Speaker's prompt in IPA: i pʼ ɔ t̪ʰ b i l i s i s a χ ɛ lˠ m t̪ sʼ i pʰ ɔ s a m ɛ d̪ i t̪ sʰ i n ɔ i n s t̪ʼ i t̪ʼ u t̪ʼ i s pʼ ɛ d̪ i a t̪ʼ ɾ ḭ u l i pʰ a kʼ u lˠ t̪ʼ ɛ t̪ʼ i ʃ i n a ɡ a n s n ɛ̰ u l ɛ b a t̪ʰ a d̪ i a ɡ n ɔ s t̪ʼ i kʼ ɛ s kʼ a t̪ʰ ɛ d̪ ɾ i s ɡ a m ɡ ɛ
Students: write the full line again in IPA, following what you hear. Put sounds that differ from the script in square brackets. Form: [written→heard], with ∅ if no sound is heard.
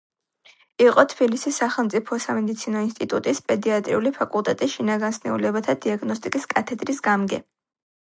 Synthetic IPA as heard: i [pʼ→qʼ] ɔ t̪ʰ b i l i s i s a χ ɛ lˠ m t̪ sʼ i pʰ ɔ s a m ɛ d̪ i t̪ sʰ i n ɔ i n s t̪ʼ i t̪ʼ u t̪ʼ i s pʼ ɛ d̪ i a t̪ʼ ɾ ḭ u l i pʰ a kʼ u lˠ t̪ʼ ɛ t̪ʼ i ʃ i n a ɡ a n s n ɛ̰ u l ɛ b a t̪ʰ a d̪ i a ɡ n ɔ s t̪ʼ i kʼ [ɛ→i] s kʼ a t̪ʰ ɛ d̪ ɾ i s ɡ a m ɡ ɛ